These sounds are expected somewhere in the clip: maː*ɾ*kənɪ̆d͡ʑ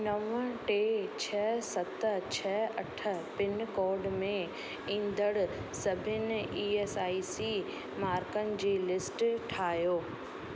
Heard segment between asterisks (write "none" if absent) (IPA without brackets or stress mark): ɾ